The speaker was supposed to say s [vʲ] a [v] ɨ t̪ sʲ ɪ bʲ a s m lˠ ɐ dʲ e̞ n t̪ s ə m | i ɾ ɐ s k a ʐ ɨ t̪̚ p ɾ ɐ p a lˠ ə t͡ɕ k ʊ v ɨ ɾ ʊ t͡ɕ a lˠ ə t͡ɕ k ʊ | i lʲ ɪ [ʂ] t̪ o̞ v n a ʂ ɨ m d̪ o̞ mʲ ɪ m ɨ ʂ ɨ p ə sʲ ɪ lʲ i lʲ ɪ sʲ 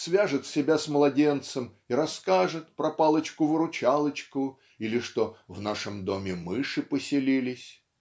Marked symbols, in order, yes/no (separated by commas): yes, no, yes